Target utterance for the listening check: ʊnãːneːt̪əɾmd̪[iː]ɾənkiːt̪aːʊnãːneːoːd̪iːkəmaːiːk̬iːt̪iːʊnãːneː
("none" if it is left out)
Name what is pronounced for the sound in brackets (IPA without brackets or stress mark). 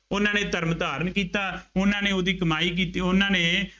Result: aː